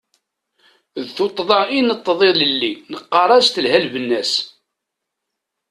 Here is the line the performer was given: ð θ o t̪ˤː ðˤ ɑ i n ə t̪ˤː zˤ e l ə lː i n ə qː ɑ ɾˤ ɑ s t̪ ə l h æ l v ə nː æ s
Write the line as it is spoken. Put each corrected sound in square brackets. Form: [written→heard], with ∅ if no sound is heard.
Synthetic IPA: ð θ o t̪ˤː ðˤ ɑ i n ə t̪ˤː [zˤ→ðˤ] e l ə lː i n ə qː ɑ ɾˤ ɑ s t̪ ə l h æ l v ə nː æ s